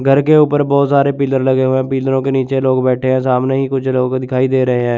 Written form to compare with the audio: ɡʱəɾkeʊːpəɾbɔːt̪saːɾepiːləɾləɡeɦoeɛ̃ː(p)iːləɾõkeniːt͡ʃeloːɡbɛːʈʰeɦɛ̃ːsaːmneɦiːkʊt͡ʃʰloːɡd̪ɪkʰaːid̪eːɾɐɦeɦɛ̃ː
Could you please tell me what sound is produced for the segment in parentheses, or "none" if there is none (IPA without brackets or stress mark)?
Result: p